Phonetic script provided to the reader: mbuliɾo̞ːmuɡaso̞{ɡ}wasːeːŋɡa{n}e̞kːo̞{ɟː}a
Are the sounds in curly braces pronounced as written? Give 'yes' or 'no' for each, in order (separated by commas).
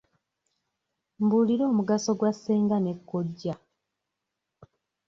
yes, yes, yes